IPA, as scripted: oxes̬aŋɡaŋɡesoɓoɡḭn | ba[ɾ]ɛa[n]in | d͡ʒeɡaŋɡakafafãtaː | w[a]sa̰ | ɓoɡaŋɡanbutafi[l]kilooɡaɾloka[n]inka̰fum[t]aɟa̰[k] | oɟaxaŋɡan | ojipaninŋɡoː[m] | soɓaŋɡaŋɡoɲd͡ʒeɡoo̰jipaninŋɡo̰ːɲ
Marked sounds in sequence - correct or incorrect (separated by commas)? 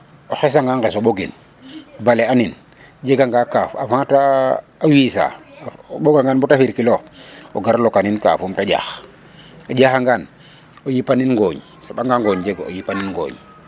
incorrect, correct, incorrect, incorrect, correct, correct, incorrect, incorrect